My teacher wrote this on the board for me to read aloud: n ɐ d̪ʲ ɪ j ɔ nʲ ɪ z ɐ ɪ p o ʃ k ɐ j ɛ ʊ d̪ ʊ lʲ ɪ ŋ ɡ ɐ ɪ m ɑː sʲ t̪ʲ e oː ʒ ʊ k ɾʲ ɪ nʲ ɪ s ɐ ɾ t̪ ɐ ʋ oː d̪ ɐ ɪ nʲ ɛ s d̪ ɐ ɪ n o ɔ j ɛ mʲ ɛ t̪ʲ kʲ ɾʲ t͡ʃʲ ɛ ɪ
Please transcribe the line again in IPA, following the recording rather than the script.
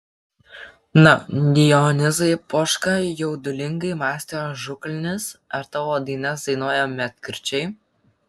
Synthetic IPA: n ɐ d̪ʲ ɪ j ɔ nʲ ɪ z ɐ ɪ p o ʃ k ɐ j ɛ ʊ d̪ ʊ lʲ ɪ ŋ ɡ ɐ ɪ m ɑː sʲ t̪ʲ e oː ʒ ʊ k lʲ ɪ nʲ ɪ s ɐ ɾ t̪ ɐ ʋ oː d̪ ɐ ɪ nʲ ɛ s d̪ ɐ ɪ n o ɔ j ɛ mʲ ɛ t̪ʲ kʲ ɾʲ t͡ʃʲ ɛ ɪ